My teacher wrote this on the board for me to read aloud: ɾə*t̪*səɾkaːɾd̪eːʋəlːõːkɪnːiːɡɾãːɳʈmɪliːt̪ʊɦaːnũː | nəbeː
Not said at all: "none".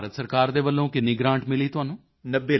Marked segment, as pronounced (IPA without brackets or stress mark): t̪